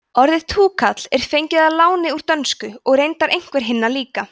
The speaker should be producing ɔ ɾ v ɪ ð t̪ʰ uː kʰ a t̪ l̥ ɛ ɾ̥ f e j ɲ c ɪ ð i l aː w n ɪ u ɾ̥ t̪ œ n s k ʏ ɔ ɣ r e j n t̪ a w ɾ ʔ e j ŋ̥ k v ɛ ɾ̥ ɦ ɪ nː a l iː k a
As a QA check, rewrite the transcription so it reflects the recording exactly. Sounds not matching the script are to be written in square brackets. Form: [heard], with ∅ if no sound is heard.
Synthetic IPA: ɔ ɾ [ð] ɪ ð t̪ʰ uː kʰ a t̪ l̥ ɛ ɾ̥ f e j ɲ c ɪ ð [a] l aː w n ɪ u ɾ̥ t̪ œ n s k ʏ ɔ ɣ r e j n t̪ a [∅] ɾ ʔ e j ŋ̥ k v ɛ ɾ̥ ɦ ɪ nː a l iː k a

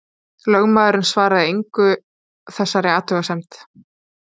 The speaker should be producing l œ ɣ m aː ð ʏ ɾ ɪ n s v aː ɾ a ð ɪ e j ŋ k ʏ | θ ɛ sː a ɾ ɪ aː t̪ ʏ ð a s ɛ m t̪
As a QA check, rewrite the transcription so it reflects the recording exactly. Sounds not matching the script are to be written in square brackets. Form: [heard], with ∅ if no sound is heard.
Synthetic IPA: l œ ɣ m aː ð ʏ ɾ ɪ n s v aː ɾ a ð ɪ e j ŋ k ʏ | θ ɛ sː a ɾ ɪ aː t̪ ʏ [ɣ] a s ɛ m t̪

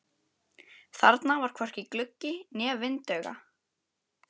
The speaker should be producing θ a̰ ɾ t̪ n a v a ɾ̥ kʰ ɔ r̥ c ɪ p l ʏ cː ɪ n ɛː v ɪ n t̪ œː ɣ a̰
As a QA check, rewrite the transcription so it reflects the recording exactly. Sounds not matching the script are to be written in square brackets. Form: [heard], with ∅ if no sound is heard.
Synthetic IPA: θ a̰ ɾ t̪ n a v a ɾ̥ kʰ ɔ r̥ c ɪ [k] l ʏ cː ɪ n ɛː v ɪ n t̪ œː ɣ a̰

